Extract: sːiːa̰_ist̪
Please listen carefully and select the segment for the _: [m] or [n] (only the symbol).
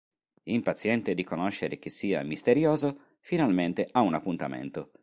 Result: m